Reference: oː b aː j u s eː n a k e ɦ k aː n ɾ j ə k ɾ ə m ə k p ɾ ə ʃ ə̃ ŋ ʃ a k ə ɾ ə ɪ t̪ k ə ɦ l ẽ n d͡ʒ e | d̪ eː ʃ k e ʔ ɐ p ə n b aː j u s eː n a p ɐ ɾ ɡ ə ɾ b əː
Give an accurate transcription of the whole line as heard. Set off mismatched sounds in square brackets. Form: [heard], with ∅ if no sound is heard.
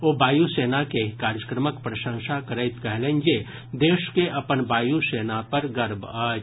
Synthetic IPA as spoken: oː b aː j u s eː n a k e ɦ k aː [∅] ɾ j ə k ɾ ə m ə k p ɾ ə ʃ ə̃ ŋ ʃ a k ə ɾ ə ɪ t̪ k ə ɦ l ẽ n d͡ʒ e | d̪ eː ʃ k e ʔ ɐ p ə n b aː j u s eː n a p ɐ ɾ ɡ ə ɾ b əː

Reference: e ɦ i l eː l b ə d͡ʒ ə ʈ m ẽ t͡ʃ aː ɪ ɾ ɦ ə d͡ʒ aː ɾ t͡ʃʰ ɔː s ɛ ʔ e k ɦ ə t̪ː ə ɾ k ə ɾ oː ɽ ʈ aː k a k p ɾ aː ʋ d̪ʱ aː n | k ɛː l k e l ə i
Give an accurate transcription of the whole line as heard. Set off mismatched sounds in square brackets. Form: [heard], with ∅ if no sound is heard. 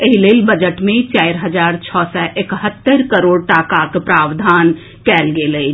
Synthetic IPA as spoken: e ɦ i l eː l b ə d͡ʒ ə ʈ m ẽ t͡ʃ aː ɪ ɾ ɦ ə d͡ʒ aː ɾ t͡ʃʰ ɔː s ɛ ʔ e k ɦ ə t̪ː ə ɾ k ə ɾ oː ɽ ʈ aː k a k p ɾ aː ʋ d̪ʱ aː n | k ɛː l [ɡ] e l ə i

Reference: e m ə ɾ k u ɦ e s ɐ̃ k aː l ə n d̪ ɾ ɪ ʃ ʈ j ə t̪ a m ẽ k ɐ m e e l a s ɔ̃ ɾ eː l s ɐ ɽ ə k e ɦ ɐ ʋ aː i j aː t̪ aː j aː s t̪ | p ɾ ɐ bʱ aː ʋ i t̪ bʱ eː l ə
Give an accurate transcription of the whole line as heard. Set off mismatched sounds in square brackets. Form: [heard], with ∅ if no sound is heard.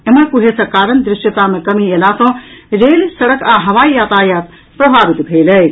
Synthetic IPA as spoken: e m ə ɾ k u ɦ e s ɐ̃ k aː [ɾ] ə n d̪ ɾ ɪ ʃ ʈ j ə t̪ a m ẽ k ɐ m [i] e l a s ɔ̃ ɾ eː l s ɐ ɽ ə k [a] ɦ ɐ ʋ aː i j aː t̪ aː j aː [∅] t̪ | p ɾ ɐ bʱ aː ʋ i t̪ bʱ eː l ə

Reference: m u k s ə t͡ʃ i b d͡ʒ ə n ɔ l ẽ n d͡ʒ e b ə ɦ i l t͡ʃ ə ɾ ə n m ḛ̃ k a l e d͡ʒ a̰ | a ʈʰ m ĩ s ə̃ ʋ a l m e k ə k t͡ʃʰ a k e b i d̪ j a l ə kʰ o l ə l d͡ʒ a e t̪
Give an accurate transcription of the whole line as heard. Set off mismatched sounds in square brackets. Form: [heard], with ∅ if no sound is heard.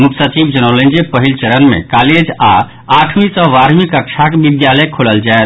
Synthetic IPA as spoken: m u k s ə t͡ʃ i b d͡ʒ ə n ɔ l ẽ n d͡ʒ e [p] ə ɦ i l t͡ʃ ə ɾ ə n m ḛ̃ k a l e d͡ʒ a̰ | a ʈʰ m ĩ s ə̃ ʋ a [ɾ] m [i] k ə k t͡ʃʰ a k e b i d̪ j a l ə kʰ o l ə l d͡ʒ a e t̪

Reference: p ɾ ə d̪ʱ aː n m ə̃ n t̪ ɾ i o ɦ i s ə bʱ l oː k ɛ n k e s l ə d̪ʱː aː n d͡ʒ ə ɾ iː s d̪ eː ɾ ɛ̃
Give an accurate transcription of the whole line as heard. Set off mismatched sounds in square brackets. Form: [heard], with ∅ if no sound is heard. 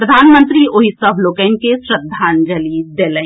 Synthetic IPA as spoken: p ɾ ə d̪ʱ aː n m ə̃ n t̪ ɾ i o ɦ i s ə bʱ l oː k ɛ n k e s [ɾ] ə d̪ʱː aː n d͡ʒ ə [l] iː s d̪ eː [l] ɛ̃

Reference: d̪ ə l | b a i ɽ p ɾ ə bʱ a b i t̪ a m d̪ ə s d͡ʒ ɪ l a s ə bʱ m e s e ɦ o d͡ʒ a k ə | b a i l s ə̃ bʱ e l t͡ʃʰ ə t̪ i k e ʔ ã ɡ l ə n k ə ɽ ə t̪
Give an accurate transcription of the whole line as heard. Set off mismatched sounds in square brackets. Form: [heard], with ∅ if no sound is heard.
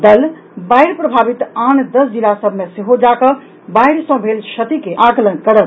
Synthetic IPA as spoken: d̪ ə l | b a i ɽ p ɾ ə bʱ a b i t̪ a [n] d̪ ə s d͡ʒ [i] l a s ə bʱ m e s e ɦ o d͡ʒ a k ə | b a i [ɽ] s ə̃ bʱ e l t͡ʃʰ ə t̪ i k e ʔ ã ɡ l ə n k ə ɽ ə t̪

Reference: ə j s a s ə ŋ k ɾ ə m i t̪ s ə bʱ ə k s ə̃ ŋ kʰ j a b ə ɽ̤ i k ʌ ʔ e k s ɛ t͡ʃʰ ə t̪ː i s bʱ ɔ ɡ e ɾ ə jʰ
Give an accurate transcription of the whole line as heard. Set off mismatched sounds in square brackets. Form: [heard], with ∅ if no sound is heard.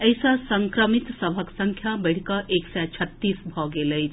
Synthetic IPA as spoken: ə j s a s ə ŋ k ɾ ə m i t̪ s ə bʱ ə k s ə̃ ŋ kʰ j a b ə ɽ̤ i k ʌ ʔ e k s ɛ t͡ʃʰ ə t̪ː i s bʱ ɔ ɡ e [l] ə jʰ

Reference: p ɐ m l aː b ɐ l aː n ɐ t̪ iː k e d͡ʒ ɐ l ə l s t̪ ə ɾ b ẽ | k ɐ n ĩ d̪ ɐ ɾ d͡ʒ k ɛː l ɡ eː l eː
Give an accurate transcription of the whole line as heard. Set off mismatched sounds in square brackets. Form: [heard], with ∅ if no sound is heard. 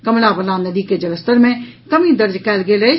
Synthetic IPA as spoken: [k] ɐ m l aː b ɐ l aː n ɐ [d̪] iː k e d͡ʒ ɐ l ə [∅] s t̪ ə ɾ [m] ẽ | k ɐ [m] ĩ d̪ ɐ ɾ d͡ʒ k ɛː l ɡ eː l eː

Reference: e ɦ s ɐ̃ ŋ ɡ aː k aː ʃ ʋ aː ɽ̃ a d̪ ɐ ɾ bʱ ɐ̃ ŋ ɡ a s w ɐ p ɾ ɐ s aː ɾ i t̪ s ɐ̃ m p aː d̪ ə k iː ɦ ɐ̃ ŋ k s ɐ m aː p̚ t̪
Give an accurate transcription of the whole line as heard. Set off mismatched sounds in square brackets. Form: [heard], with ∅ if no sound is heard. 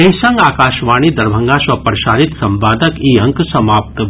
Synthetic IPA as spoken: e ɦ s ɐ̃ ŋ ɡ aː k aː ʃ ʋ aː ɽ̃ [i] d̪ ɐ ɾ bʱ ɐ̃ ŋ ɡ a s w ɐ p ɾ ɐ [ʃ] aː ɾ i t̪ s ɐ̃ m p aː d̪ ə k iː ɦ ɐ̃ ŋ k s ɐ m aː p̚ t̪

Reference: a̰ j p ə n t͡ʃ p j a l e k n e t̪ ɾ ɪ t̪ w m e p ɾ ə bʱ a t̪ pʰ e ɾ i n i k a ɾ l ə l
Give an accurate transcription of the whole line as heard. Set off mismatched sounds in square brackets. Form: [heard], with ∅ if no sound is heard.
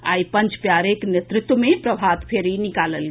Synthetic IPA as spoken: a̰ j p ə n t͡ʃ p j a [ɾ] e k n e t̪ ɾ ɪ t̪ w m e p ɾ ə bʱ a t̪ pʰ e ɾ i n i k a [∅] l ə l

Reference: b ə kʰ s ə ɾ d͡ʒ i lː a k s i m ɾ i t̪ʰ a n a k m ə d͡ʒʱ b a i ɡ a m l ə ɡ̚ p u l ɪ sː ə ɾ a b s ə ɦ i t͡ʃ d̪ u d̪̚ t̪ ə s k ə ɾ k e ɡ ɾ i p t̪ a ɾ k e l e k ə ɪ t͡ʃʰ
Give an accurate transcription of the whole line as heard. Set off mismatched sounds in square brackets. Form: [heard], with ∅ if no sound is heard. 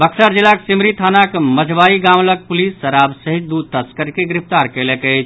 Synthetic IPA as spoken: b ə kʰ s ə ɾ d͡ʒ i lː a k s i m ɾ i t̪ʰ a n a k m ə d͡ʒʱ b a i ɡ a m l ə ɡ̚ p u l [i] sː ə ɾ a b s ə ɦ i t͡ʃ d̪ u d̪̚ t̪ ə s k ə ɾ k e ɡ ɾ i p t̪ a ɾ k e l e k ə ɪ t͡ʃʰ

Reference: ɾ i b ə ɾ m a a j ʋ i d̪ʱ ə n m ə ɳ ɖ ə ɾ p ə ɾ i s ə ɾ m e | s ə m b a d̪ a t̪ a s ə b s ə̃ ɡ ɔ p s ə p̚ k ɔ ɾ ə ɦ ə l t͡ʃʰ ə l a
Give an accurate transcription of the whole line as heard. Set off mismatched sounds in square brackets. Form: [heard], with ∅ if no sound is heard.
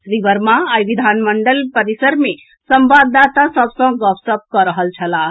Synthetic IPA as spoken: ɾ i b ə ɾ m a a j ʋ i d̪ʱ [a] n m ə ɳ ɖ ə [l] p ə ɾ i s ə ɾ m e | s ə m b a d̪ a t̪ a s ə b s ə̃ ɡ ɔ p s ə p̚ k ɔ ɾ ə ɦ ə l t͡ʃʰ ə l a

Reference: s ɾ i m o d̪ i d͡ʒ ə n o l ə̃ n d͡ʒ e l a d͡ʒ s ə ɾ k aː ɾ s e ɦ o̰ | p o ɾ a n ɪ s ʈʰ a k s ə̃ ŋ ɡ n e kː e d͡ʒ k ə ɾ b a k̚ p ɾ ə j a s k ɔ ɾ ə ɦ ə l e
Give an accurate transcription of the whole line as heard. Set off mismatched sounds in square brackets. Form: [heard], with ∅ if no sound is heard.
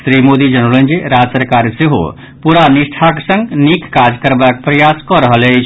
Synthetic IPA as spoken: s ɾ i m o d̪ i d͡ʒ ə n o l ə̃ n d͡ʒ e [ɾ] a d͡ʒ s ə ɾ k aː ɾ s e ɦ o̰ | p [u] ɾ a n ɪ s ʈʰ a k s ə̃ ŋ ɡ n [i] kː [a] d͡ʒ k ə ɾ b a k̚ p ɾ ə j a s k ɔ ɾ ə ɦ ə l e

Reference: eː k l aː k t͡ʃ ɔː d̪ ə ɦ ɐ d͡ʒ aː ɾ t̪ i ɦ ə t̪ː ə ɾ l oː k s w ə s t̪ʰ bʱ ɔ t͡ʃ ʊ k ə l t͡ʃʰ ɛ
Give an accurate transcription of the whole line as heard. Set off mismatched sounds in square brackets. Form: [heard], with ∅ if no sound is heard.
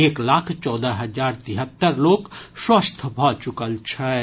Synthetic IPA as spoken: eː k l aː [kʰ] t͡ʃ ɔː d̪ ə ɦ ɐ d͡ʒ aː ɾ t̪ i ɦ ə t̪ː ə ɾ l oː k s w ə s t̪ʰ bʱ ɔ t͡ʃ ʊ k ə l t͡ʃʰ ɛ

